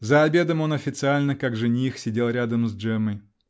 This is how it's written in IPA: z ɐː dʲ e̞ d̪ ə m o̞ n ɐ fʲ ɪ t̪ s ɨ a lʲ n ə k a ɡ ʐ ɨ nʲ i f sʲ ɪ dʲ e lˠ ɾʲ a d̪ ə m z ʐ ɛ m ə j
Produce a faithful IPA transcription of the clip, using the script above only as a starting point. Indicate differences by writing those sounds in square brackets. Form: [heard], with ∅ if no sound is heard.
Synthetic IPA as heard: z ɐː [bʲ] e̞ d̪ ə m o̞ n ɐ fʲ ɪ t̪ s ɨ a lʲ n ə k a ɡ ʐ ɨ nʲ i [x] sʲ ɪ dʲ e lˠ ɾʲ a d̪ ə m z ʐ ɛ m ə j

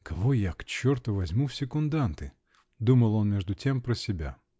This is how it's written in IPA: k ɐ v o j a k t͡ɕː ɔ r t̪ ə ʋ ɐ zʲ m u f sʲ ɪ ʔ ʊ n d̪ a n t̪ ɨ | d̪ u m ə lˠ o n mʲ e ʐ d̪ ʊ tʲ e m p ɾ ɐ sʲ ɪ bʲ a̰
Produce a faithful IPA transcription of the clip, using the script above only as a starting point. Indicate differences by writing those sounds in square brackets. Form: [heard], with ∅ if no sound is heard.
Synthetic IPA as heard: k ɐ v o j a k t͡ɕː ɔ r t̪ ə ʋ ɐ zʲ m u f sʲ ɪ [k] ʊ n d̪ a n t̪ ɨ | d̪ u m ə lˠ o n mʲ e ʐ d̪ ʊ tʲ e m p ɾ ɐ sʲ ɪ bʲ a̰

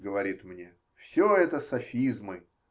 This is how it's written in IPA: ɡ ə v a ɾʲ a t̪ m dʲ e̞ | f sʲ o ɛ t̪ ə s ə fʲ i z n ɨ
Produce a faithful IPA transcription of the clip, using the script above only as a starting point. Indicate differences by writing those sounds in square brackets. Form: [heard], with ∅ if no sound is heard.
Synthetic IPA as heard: ɡ ə v [ɐ] ɾʲ [i] t̪ m [nʲ] e̞ | f sʲ o ɛ t̪ ə s [ɐ] fʲ i z [m] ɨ

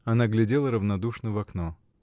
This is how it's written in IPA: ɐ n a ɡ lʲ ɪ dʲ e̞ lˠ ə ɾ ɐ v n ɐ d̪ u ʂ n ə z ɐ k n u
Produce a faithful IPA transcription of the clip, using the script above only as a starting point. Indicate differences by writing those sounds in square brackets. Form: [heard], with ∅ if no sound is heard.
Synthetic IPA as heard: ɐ n a ɡ lʲ ɪ dʲ e̞ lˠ ə ɾ [ə] v n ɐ d̪ u ʂ n ə [v] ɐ k n [o]

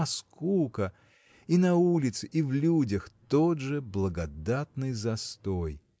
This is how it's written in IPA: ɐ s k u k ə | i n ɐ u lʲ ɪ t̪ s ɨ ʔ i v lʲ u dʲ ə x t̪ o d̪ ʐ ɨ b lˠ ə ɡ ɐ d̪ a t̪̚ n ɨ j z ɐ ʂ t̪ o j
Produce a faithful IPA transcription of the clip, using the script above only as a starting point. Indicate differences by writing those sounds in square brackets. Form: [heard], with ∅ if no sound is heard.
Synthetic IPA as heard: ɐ s k u k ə | i n ɐ u lʲ ɪ t̪ s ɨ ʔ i v lʲ u dʲ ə x t̪ o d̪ ʐ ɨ b lˠ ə ɡ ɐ d̪ a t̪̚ n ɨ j z ɐ [s] t̪ o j

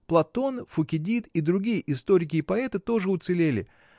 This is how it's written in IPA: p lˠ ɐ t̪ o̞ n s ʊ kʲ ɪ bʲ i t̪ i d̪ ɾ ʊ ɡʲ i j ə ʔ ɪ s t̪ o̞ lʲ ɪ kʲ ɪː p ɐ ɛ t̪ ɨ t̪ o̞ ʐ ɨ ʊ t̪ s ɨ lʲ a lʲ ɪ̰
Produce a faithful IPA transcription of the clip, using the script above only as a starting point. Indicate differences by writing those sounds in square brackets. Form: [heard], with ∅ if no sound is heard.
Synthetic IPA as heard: p lˠ ɐ t̪ o̞ n [f] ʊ kʲ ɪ [dʲ] i t̪ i d̪ ɾ ʊ ɡʲ i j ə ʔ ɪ s t̪ o̞ [ɾʲ] ɪ kʲ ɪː p ɐ ɛ t̪ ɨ t̪ o̞ ʐ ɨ ʊ t̪ s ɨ lʲ [e] lʲ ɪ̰

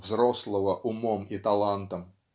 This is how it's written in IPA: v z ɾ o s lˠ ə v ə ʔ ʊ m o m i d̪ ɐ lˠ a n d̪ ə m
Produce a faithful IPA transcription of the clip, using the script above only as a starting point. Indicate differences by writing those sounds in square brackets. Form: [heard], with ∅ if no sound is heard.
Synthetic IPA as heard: v z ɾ o s lˠ ə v ə ʔ ʊ m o m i [t̪] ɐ lˠ a n [t̪] ə m

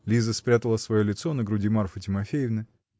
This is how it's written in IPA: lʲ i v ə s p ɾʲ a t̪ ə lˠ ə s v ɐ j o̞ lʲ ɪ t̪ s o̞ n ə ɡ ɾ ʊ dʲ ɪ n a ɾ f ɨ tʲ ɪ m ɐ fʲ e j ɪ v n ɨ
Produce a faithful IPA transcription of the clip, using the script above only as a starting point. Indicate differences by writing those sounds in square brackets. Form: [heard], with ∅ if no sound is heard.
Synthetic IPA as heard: lʲ i [z] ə s p ɾʲ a t̪ ə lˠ ə s v ɐ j o̞ lʲ ɪ t̪ s o̞ n ə ɡ ɾ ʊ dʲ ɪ [m] a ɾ f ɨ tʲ ɪ m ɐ fʲ e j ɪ v n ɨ

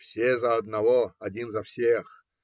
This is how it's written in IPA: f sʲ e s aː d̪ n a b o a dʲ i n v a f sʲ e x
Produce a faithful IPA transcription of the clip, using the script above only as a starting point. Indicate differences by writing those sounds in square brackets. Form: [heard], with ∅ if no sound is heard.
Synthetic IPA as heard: f sʲ e [z] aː d̪ n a [v] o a dʲ i n [z] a f sʲ e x

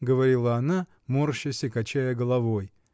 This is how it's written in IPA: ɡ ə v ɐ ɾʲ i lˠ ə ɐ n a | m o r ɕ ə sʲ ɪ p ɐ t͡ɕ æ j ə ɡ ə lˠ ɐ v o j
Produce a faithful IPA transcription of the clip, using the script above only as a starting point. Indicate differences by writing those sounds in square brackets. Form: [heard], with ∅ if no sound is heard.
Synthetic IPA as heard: ɡ ə v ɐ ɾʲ i lˠ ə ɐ n a | m o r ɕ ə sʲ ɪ [k] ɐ t͡ɕ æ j ə ɡ ə lˠ ɐ v o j

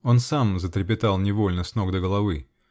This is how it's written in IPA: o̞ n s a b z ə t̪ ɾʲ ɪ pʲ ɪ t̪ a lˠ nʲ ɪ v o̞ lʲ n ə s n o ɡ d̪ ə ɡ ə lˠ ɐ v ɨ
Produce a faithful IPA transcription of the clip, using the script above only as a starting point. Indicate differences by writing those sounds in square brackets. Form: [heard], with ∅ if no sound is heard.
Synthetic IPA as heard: o̞ n s a [m] z ə t̪ ɾʲ ɪ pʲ ɪ t̪ a lˠ nʲ ɪ v o̞ lʲ n ə s n o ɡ d̪ ə ɡ ə lˠ ɐ v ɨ

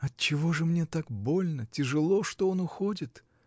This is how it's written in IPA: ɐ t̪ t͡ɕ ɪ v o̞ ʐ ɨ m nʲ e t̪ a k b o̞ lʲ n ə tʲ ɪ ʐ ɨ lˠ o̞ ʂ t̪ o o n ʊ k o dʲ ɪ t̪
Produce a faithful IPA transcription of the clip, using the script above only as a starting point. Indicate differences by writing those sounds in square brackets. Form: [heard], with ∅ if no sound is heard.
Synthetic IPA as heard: ɐ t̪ t͡ɕ ɪ v o̞ ʐ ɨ m nʲ e t̪ a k b o̞ lʲ n ə tʲ ɪ ʐ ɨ lˠ o̞ ʂ t̪ o o n ʊ [x] o dʲ ɪ t̪

